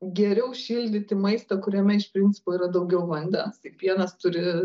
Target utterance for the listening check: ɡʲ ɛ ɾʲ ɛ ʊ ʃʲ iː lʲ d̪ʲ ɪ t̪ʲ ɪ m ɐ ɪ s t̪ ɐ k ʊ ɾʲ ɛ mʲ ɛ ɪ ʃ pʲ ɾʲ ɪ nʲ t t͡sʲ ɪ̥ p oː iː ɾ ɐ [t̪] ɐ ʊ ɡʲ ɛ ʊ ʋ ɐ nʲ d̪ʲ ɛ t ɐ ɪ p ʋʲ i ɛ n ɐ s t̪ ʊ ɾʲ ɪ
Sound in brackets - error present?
yes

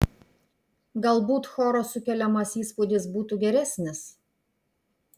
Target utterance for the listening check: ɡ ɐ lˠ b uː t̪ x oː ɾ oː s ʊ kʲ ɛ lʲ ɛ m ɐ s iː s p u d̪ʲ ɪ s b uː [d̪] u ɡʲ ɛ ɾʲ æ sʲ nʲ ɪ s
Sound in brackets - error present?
yes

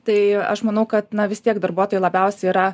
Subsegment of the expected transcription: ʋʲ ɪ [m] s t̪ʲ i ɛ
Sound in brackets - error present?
yes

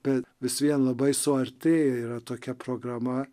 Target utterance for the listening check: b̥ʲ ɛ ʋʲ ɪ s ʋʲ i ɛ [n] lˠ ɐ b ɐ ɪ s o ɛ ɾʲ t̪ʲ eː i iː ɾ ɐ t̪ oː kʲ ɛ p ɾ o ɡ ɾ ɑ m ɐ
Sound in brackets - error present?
no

